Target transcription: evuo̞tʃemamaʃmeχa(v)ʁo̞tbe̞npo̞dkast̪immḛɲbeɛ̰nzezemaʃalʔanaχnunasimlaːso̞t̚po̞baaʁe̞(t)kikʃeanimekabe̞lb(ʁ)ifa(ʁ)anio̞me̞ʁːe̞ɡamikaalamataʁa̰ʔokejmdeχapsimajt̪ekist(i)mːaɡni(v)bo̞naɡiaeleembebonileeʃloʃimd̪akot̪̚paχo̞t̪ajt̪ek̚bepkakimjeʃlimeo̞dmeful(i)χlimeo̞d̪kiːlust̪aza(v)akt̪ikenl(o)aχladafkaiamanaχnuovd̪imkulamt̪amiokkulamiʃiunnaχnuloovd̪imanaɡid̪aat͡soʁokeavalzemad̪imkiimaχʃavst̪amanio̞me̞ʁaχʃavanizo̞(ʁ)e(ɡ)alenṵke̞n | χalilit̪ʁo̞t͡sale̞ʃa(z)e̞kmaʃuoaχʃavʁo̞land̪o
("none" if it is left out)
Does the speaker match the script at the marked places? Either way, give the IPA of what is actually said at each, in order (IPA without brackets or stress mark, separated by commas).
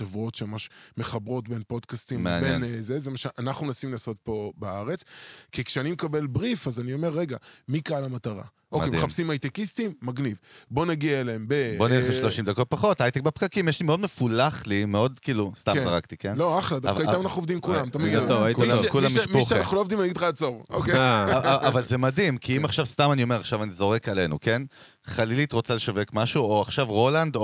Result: b, t͡s, ʁ, z, i, v, a, ʁ, o, ʁ, k, v